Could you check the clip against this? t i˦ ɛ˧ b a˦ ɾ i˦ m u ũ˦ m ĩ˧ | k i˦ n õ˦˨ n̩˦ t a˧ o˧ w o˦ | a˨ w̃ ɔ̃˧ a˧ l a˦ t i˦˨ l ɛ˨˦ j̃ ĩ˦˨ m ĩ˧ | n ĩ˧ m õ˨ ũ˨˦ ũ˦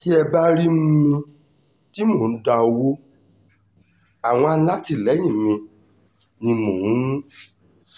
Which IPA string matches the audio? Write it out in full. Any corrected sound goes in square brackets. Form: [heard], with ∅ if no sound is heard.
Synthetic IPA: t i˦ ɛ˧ b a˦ ɾ i˦ m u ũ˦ m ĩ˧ | [t] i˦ [m] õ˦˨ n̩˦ [d] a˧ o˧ w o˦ | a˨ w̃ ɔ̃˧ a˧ l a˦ t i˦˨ l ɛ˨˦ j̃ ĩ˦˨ m ĩ˧ | n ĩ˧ m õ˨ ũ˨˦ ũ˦